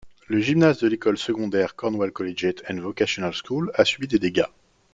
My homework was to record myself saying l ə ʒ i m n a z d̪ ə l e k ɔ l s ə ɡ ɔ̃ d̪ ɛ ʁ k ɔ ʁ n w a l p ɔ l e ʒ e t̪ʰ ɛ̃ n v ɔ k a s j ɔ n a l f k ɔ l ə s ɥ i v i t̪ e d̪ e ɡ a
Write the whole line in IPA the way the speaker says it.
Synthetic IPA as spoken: l ə ʒ i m n a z d̪ ə l e k ɔ l s ə ɡ ɔ̃ d̪ ɛ ʁ k ɔ ʁ n w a l k ɔ l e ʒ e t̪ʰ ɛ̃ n v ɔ k a s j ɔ n a l s k u l a s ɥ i b i d̪ e d̪ e ɡ a